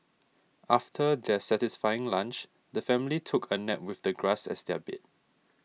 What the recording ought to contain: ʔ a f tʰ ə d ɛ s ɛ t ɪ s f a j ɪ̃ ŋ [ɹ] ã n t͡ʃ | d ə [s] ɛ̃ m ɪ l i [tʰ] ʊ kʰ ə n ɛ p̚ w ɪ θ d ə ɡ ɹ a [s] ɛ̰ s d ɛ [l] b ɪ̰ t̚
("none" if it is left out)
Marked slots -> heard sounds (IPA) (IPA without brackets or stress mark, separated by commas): l, f, tʰ, s, none